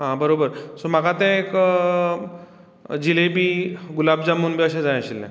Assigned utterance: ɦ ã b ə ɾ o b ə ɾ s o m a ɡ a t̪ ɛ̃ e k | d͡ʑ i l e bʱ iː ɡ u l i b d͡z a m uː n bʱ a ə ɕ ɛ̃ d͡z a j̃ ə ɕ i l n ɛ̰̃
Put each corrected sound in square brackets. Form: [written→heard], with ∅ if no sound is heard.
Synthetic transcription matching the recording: ɦ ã b ə ɾ o b ə ɾ s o m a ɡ a t̪ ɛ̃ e k | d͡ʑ i l e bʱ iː ɡ u l [i→a] b d͡z a m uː n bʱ [a→i] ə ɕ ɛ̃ d͡z a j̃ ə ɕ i l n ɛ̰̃